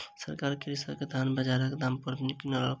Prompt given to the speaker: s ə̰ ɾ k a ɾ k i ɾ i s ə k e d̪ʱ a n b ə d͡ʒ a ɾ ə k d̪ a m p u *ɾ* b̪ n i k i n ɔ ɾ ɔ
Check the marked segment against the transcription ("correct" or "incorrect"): correct